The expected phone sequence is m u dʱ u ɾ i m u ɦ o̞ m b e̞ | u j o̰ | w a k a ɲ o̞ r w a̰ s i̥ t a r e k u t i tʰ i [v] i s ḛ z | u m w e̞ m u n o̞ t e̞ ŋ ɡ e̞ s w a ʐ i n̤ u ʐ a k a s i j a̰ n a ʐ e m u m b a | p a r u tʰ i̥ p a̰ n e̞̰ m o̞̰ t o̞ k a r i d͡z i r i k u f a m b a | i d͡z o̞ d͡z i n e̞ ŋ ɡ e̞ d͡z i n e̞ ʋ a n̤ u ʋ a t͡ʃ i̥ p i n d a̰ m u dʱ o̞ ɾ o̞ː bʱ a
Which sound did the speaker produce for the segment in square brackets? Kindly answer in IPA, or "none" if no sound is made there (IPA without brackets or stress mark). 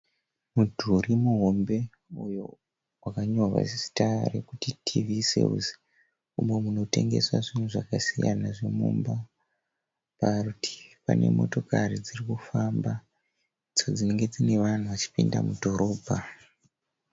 v